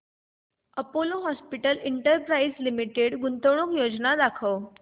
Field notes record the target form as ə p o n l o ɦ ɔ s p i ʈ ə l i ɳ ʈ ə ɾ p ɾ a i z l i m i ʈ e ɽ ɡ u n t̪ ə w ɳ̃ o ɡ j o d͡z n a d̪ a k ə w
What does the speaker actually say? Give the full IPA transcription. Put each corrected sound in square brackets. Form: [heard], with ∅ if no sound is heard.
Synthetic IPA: ə p o [∅] l o ɦ ɔ s p i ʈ ə l i ɳ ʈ ə ɾ p ɾ a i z l i m i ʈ e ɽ ɡ u n t̪ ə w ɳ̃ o [k] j o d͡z n a d̪ a [kʰ] ə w